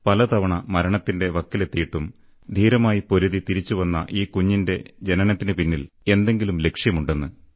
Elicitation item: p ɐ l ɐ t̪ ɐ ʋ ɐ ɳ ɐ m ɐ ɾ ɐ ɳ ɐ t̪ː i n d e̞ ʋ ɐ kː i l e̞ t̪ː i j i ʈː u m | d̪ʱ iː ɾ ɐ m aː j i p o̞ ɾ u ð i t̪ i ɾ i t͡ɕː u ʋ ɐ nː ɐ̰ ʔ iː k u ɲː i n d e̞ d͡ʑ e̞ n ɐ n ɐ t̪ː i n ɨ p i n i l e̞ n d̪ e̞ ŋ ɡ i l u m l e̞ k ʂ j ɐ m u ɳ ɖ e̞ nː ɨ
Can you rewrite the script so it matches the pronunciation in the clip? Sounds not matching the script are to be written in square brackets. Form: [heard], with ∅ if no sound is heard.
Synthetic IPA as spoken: p ɐ l ɐ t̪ ɐ ʋ ɐ ɳ ɐ m ɐ ɾ ɐ ɳ ɐ t̪ː i n d e̞ ʋ ɐ kː i l e̞ t̪ː i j i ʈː u m | d̪ʱ iː ɾ ɐ m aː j i p o̞ ɾ u ð i t̪ i ɾ i t͡ɕː u ʋ ɐ nː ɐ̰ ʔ iː k u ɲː i n d e̞ d͡ʑ e̞ n ɐ n ɐ t̪ː i n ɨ p i [nː] i l e̞ n d̪ e̞ ŋ ɡ i l u m l e̞ k ʂ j ɐ m u ɳ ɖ e̞ nː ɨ